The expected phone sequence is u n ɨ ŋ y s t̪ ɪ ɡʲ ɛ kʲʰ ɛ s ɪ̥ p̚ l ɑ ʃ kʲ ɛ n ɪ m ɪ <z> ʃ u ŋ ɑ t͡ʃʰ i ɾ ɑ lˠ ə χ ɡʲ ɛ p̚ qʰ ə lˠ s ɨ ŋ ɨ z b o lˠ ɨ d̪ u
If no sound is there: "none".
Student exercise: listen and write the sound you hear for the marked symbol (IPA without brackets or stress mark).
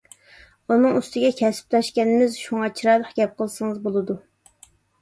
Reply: z